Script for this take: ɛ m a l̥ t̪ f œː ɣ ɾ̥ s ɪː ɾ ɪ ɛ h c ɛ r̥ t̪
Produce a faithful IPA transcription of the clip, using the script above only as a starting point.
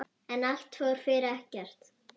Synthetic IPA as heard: ɛ n a l̥ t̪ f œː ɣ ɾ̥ f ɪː ɾ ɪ ɛ h c ɛ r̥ t̪